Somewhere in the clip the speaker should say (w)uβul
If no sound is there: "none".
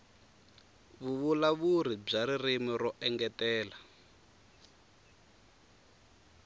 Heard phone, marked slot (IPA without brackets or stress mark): β